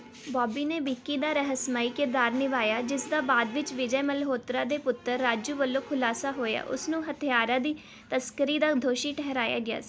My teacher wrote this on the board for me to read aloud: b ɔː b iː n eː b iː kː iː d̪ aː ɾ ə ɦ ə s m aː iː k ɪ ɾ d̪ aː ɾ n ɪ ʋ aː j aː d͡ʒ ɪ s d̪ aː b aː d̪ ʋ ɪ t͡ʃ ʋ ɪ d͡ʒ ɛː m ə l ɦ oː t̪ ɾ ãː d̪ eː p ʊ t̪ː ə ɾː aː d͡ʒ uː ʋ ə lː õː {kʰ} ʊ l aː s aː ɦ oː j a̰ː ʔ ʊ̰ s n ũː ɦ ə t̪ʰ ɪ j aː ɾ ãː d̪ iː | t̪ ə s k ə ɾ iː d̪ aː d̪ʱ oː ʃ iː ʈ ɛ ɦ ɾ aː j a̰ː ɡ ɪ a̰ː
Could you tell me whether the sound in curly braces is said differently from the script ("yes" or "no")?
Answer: no